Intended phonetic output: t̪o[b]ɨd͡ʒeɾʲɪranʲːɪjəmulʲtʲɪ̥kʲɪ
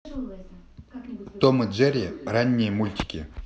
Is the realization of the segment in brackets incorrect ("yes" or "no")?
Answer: yes